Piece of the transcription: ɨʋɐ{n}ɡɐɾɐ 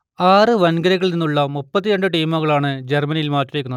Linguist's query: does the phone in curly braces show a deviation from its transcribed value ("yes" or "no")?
no